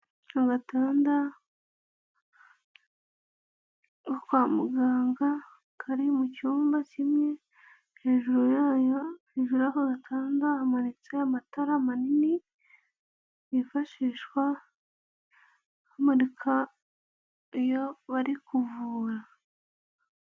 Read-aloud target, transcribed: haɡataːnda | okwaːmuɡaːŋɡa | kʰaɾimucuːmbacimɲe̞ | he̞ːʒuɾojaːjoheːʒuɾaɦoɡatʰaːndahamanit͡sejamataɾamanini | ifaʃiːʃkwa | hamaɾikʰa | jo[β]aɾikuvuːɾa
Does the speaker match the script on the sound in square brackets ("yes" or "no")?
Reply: yes